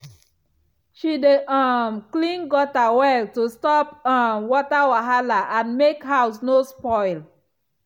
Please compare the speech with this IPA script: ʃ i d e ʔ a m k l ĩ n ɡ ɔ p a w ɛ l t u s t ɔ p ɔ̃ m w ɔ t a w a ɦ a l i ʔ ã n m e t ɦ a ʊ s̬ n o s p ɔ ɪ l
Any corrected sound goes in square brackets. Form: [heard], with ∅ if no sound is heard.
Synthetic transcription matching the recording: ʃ i d e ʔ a m k l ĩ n ɡ ɔ [t] a w ɛ l t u s t ɔ p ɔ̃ m w ɔ t a w a ɦ a l [a] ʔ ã n m e [k] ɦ a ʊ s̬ n o s p ɔ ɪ l